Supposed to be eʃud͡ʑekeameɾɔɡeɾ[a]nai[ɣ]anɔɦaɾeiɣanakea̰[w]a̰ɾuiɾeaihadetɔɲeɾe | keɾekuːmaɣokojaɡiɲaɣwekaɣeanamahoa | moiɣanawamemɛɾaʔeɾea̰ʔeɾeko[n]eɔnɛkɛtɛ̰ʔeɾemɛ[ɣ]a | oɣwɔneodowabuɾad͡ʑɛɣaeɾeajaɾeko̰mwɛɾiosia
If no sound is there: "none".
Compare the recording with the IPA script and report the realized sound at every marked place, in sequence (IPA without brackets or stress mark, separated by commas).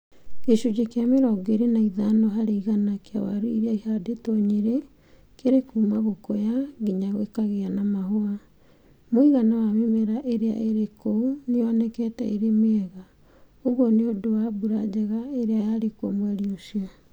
e, ð, w, n, ɣ